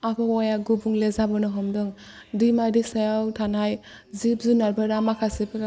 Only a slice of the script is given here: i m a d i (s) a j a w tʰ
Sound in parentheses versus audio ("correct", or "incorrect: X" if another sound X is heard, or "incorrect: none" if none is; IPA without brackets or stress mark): correct